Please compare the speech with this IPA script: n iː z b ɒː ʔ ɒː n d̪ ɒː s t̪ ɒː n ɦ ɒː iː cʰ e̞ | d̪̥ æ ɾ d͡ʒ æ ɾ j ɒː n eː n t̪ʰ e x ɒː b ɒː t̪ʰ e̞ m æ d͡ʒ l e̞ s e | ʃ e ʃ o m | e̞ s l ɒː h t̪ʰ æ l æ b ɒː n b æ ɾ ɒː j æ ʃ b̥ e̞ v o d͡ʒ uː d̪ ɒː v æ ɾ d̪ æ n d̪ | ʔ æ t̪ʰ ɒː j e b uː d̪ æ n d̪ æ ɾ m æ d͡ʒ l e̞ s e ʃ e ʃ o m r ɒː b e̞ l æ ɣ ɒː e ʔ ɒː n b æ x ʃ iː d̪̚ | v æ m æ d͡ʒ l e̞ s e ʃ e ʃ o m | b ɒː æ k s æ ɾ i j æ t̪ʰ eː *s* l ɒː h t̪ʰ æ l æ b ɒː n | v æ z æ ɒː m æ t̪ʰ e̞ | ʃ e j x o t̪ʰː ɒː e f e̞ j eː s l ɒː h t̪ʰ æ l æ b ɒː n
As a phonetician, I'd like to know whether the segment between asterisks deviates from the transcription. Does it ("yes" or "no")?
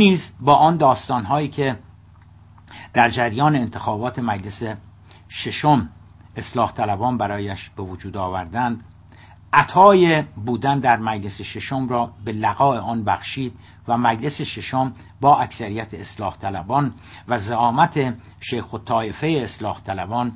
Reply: no